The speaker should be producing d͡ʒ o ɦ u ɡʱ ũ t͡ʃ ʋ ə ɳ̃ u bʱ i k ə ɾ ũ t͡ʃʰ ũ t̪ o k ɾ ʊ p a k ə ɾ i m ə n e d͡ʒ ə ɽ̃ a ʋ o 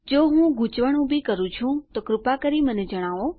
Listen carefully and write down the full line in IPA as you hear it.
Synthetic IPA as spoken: d͡ʒ o ɦ ũ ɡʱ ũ t͡ʃ ʋ ə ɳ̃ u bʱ i k ə ɾ ũ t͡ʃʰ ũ t̪ o k ɾ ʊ p a k ə ɾ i m ə n e d͡ʒ ə ɽ̃ a ʋ o